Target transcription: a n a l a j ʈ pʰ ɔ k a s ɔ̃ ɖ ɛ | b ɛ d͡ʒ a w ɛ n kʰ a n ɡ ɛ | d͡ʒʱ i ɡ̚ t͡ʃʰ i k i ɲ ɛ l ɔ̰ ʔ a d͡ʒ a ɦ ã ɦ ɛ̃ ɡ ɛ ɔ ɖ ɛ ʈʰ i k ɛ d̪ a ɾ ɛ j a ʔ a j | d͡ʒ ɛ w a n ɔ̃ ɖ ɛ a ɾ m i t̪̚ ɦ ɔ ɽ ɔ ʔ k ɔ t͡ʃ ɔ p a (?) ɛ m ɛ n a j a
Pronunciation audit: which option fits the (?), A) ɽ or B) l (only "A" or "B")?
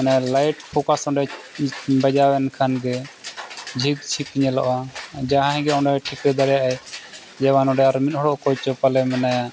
B